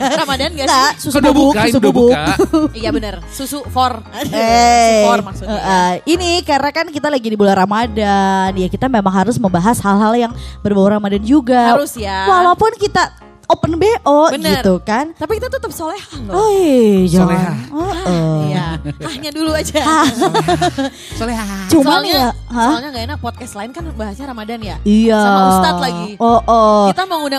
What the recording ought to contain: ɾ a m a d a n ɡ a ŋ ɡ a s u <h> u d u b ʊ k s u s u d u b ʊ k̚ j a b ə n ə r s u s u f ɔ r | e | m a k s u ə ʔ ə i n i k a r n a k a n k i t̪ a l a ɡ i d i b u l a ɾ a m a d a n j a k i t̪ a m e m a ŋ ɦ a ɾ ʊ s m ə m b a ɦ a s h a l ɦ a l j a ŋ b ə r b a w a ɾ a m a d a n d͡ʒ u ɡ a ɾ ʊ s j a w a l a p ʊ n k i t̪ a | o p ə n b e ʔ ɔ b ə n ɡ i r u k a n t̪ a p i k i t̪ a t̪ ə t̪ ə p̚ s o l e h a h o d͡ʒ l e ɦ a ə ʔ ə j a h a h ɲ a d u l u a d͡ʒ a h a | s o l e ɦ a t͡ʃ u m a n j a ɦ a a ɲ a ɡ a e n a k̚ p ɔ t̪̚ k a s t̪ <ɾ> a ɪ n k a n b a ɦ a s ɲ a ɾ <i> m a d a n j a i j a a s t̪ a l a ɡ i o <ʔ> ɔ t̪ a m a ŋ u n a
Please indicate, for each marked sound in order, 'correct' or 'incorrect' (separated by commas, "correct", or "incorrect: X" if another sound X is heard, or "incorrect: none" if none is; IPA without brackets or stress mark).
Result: incorrect: s, incorrect: l, incorrect: a, correct